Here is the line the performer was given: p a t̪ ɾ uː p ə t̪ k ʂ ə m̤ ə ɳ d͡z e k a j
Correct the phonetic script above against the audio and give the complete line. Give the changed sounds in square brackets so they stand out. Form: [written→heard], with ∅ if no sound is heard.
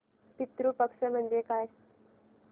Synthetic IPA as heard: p [a→i] t̪ ɾ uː p ə [t̪→∅] k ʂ ə m̤ ə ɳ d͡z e k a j